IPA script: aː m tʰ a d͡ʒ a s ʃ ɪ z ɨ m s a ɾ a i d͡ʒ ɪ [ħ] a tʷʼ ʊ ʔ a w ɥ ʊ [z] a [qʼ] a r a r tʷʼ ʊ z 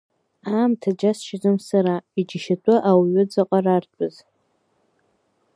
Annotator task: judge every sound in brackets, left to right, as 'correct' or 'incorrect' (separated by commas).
incorrect, incorrect, correct